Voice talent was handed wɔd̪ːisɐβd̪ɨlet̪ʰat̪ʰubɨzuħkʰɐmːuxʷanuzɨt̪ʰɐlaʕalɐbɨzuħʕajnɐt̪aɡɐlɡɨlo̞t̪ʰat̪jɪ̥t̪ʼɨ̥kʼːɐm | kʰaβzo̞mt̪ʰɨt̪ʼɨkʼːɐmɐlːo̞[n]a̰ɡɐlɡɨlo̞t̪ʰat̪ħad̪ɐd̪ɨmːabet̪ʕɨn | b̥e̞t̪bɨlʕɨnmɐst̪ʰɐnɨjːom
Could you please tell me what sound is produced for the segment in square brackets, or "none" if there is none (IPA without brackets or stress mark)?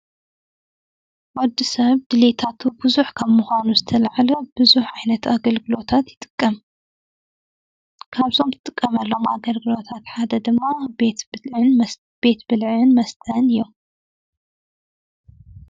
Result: m